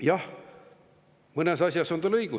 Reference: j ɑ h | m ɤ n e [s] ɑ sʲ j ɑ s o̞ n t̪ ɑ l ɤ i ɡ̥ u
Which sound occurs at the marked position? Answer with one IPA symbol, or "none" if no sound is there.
s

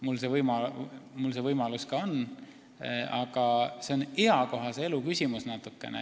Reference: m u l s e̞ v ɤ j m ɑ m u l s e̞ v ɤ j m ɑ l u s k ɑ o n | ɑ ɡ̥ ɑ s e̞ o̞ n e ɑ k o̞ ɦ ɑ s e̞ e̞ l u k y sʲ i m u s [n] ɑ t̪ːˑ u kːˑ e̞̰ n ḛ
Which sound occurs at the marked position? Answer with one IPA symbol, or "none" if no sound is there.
n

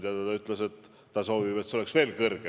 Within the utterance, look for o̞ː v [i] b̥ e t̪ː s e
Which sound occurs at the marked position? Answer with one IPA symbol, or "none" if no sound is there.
i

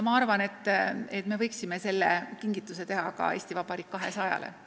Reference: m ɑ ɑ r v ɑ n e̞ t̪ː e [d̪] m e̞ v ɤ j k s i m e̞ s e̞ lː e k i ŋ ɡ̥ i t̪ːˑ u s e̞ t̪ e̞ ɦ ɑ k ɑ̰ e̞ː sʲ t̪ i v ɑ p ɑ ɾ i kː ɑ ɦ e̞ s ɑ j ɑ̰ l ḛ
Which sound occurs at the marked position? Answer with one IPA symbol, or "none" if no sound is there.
t̪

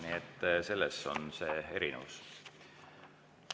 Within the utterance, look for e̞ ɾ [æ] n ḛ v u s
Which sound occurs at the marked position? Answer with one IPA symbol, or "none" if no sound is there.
i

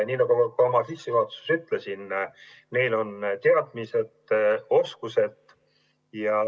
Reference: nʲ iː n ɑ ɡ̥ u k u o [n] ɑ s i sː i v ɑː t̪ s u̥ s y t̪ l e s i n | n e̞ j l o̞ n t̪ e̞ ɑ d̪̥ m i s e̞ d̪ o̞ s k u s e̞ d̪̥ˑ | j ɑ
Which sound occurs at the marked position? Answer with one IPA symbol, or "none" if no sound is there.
m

